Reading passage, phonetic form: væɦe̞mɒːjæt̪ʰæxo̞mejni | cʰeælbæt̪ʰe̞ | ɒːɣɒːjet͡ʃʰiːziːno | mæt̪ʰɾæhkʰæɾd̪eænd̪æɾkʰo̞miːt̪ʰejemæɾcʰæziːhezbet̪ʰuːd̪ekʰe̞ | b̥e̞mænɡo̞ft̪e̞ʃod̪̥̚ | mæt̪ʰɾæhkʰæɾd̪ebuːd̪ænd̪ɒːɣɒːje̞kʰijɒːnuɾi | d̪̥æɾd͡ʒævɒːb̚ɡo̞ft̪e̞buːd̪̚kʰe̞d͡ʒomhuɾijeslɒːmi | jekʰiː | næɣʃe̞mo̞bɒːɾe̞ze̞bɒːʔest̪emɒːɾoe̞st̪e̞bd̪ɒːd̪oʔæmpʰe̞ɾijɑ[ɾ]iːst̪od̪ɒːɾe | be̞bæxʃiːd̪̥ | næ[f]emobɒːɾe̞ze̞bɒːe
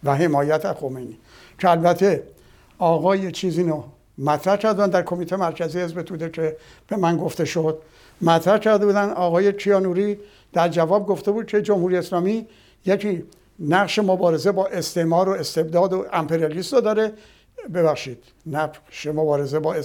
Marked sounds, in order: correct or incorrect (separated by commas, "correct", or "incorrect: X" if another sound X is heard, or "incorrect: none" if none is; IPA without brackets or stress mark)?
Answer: incorrect: l, incorrect: ʃ